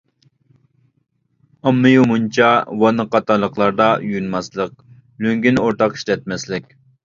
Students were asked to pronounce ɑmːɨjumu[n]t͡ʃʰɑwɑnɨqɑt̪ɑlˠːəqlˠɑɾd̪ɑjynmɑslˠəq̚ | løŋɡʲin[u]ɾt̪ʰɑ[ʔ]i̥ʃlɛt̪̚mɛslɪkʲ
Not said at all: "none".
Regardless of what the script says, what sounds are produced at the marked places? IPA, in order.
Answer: n, o, q

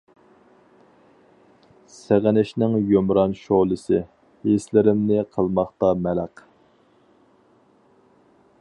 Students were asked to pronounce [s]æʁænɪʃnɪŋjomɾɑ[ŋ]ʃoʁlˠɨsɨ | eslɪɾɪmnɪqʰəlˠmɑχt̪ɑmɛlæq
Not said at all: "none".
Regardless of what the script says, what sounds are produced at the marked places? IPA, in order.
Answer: s, n

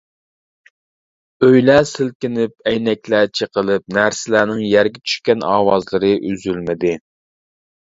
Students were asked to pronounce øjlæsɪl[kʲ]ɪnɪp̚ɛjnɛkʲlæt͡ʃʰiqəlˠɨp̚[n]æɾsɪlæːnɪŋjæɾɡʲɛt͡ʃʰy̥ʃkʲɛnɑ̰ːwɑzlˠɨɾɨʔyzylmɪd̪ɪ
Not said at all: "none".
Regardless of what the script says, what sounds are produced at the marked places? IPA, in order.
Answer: kʲ, n

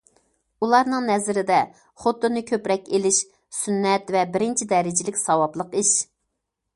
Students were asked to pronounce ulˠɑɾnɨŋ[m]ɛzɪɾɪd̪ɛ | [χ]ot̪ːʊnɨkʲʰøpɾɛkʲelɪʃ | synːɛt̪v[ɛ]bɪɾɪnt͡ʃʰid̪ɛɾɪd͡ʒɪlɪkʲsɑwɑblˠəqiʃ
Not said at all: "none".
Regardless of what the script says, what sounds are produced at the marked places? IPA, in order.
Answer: n, χ, ɛ

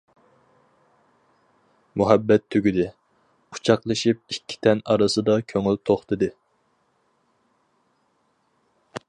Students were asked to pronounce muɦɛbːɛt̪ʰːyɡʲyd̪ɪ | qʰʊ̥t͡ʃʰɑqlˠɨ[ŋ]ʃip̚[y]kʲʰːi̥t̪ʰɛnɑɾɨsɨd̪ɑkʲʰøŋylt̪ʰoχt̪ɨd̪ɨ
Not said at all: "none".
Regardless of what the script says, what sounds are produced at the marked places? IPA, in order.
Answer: none, i

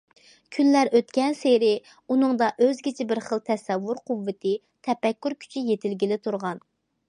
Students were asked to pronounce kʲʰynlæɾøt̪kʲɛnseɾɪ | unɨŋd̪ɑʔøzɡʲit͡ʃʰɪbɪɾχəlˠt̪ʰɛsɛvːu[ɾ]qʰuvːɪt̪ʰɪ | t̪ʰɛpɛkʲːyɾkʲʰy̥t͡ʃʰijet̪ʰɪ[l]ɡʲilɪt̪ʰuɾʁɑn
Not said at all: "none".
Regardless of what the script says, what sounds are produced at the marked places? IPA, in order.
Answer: ɾ, l

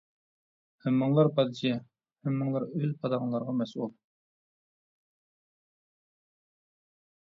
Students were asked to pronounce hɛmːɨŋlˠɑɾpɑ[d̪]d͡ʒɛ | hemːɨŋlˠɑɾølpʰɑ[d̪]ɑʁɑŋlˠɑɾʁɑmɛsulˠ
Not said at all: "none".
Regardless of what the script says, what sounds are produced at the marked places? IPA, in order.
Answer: d̪, d̪

